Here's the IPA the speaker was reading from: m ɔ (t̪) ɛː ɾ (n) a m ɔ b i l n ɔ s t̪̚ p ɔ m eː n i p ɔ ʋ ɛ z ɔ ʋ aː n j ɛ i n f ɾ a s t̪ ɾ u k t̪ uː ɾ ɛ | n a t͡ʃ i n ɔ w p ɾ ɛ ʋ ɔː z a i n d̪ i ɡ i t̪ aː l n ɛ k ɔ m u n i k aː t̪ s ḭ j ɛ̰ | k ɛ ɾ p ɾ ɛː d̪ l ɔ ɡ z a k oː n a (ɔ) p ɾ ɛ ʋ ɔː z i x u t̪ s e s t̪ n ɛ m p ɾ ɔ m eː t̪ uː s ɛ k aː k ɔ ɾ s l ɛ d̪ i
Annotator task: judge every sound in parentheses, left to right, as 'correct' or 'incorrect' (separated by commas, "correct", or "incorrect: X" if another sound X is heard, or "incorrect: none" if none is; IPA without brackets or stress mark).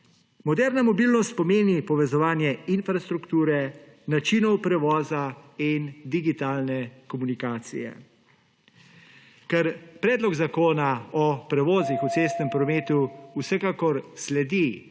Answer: incorrect: d̪, correct, correct